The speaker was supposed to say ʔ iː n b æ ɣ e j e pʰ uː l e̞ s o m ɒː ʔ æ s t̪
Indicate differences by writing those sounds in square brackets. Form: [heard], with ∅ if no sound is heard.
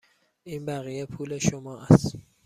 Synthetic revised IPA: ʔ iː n b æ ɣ [i] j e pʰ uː l e̞ [ʃ] o m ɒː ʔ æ s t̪